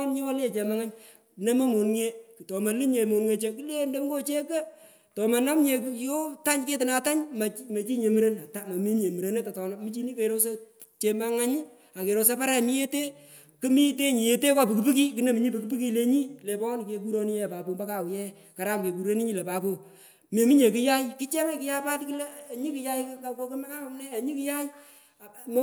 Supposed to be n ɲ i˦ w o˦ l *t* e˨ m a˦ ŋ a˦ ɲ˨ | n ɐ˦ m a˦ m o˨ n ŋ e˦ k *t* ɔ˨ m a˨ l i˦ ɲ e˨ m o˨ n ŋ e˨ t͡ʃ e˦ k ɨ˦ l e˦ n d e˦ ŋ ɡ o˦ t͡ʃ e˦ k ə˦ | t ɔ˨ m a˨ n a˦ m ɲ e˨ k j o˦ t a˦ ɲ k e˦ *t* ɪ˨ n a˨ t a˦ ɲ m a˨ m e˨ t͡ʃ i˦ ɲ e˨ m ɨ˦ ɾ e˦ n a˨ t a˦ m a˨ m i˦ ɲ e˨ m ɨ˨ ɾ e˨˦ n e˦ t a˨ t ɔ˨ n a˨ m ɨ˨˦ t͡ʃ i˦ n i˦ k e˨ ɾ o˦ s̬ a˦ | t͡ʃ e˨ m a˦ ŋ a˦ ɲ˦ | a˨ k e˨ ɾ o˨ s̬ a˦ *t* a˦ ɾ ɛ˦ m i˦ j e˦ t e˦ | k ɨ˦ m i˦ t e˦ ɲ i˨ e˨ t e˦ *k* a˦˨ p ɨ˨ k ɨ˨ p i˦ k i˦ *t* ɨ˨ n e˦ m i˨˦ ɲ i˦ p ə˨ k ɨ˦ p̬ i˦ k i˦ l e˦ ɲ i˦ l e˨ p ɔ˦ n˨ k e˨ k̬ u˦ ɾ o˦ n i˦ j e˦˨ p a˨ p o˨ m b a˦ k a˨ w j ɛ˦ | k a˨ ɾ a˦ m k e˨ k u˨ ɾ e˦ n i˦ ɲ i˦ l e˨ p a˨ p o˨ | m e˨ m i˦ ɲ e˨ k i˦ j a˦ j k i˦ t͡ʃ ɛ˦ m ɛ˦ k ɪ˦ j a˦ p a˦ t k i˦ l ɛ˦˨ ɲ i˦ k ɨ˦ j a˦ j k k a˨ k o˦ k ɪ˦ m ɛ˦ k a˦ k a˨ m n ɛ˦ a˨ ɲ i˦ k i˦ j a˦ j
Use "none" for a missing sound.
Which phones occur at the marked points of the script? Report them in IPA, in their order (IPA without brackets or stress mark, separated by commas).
t͡ʃ, t, t, p, k, k